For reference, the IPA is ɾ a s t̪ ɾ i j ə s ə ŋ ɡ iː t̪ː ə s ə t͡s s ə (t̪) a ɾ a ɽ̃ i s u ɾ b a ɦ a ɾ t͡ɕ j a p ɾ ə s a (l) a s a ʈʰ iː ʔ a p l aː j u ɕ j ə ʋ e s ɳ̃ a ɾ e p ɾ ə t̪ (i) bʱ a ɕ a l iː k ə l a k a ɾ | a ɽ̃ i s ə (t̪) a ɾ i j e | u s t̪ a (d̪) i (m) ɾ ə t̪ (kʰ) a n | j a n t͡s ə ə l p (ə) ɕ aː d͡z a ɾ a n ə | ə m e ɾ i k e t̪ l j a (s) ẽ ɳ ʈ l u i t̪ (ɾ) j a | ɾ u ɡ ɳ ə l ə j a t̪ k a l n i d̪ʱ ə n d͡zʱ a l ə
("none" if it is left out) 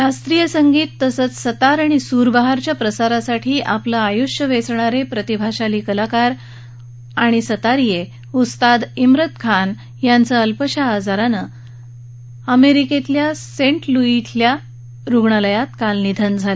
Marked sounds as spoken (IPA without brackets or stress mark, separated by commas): t̪, ɾ, i, t̪, d̪, m, kʰ, ə, s, l